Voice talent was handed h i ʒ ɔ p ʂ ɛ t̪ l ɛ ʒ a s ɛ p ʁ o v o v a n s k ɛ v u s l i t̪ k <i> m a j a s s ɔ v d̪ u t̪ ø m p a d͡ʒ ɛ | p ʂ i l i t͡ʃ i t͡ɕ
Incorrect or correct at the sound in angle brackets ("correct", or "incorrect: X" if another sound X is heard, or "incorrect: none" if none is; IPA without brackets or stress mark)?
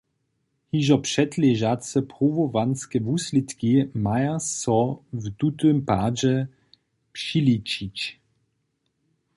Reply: correct